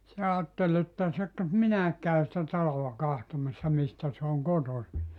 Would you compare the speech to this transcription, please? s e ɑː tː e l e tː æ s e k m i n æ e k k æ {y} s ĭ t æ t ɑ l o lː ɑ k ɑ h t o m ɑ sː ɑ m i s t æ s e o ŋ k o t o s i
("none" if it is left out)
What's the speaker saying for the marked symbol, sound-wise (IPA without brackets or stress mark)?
y